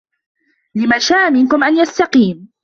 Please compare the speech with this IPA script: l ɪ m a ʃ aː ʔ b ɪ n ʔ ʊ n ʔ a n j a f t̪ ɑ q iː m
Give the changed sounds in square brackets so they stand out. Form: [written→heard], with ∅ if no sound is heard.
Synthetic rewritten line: l ɪ m a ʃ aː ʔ [b→m] ɪ n [ʔ→k] ʊ [n→m] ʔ a n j a [f→s] t̪ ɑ q iː m